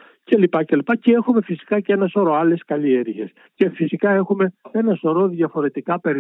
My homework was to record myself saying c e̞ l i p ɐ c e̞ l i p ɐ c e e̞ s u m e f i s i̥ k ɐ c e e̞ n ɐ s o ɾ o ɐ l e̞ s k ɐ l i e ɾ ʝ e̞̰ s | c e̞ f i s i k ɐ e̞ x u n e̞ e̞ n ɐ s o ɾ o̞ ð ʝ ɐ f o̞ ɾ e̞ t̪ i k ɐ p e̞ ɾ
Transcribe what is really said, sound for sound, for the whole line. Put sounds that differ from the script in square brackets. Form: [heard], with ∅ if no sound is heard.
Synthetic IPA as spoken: c e̞ l i p ɐ c e̞ l i p ɐ c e e̞ [x] u m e f i s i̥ k ɐ c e e̞ n ɐ s o ɾ o ɐ l e̞ s k ɐ l i e ɾ ʝ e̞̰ s | c e̞ f i s i k ɐ e̞ x u [m] e̞ e̞ n ɐ s o ɾ o̞ ð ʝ ɐ f o̞ ɾ e̞ t̪ i k ɐ p e̞ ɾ